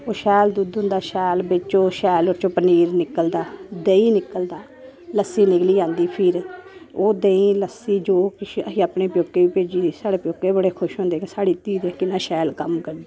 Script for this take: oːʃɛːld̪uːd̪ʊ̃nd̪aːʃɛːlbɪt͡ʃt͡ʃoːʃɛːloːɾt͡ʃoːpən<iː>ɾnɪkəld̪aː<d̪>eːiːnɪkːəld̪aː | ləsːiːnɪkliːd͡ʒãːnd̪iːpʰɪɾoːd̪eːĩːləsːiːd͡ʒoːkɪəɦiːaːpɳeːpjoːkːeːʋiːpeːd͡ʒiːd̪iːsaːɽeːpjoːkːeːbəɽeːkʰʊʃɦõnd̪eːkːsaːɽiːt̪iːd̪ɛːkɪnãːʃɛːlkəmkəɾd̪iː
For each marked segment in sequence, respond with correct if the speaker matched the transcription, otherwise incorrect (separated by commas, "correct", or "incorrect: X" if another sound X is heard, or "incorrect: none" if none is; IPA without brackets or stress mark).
correct, correct